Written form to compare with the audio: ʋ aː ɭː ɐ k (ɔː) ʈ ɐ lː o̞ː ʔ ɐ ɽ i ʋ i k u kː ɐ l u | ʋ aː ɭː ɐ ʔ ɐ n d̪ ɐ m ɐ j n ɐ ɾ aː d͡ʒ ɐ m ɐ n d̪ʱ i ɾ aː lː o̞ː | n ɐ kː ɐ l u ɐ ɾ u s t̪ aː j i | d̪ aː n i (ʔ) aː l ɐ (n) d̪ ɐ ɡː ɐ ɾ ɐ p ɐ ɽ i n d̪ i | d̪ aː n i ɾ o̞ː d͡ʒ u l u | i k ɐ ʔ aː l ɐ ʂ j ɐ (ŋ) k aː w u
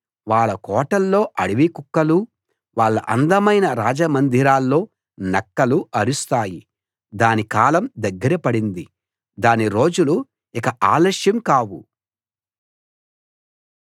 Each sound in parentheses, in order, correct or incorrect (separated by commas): correct, incorrect, incorrect, incorrect